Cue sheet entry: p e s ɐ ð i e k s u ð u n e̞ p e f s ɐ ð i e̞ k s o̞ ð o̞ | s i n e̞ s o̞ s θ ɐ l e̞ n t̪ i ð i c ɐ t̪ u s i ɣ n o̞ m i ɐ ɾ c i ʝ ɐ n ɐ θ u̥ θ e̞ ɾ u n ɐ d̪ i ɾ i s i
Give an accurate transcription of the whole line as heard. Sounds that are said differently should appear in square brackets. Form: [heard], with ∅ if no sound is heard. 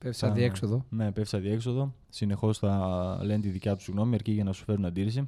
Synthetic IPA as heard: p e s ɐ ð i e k s [o] ð [o] n e̞ p e f s ɐ ð i e̞ k s o̞ ð o̞ | s i n e̞ [x] o̞ s θ ɐ l e̞ n t̪ i ð i c ɐ t̪ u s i ɣ n o̞ m i ɐ ɾ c i ʝ ɐ n ɐ [s] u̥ [f] e̞ ɾ u n ɐ d̪ i ɾ i s i